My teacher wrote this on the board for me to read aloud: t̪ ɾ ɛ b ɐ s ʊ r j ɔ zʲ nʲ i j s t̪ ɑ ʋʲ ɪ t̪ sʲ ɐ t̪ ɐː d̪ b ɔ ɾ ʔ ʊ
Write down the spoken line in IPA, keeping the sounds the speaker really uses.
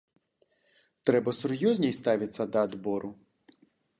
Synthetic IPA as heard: t̪ ɾ ɛ b ɐ s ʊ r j ɔ zʲ nʲ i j s t̪ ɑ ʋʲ ɪ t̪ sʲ ɐ d̪ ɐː d̪ b ɔ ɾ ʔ ʊ